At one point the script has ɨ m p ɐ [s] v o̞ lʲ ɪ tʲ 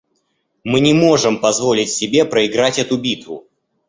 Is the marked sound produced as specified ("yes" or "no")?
no